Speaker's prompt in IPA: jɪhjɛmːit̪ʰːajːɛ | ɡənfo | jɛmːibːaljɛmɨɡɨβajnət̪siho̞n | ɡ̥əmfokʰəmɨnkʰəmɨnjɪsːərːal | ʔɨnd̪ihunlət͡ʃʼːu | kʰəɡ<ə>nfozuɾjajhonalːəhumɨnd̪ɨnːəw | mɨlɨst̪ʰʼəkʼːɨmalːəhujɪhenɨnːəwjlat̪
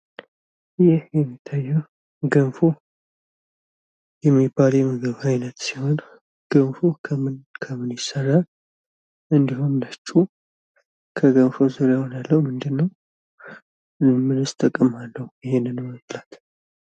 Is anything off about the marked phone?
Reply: no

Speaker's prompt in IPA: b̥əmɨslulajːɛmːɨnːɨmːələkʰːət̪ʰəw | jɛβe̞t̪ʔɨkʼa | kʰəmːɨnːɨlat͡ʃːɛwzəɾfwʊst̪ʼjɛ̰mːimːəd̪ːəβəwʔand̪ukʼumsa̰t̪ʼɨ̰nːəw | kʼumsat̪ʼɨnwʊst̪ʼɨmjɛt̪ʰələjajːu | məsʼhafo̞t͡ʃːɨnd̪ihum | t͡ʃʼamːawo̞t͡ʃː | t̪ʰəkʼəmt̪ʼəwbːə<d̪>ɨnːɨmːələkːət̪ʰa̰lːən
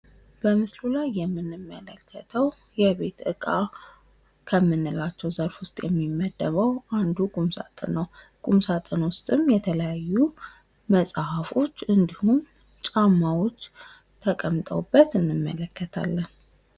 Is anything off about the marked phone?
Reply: yes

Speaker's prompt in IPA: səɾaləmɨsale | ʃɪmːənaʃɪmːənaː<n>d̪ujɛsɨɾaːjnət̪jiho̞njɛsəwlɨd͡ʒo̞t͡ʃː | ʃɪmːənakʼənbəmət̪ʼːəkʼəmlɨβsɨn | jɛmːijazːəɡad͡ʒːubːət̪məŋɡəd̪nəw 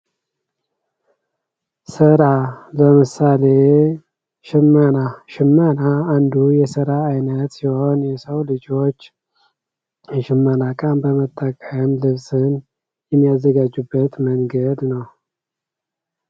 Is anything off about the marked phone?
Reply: no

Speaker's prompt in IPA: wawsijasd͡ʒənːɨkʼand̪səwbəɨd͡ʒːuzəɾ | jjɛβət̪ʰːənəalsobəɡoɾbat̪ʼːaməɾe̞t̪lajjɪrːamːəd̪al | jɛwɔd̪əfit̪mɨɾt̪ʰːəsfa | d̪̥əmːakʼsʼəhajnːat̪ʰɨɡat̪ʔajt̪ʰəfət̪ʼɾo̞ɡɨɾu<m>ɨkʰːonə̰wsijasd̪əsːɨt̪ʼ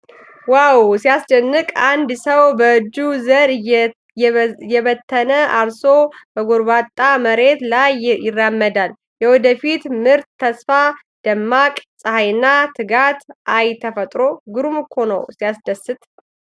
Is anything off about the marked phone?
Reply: no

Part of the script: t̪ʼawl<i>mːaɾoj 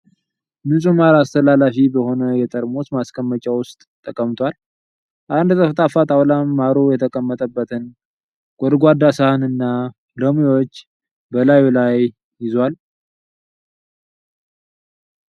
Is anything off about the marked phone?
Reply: yes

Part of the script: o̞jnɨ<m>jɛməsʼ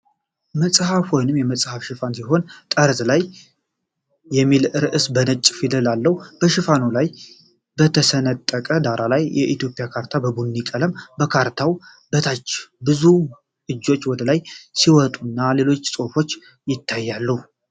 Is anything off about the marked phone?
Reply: no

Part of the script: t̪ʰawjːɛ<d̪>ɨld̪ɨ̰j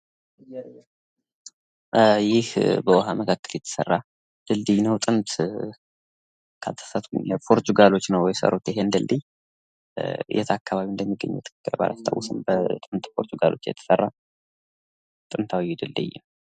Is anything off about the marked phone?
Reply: no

